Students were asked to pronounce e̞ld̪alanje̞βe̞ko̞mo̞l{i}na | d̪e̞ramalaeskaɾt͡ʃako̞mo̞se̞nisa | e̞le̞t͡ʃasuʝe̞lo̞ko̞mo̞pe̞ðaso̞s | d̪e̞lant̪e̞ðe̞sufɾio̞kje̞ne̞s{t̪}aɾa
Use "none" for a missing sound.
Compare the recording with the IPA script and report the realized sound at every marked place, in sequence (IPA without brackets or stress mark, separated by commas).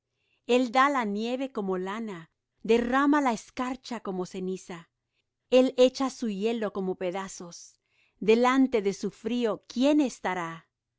a, t̪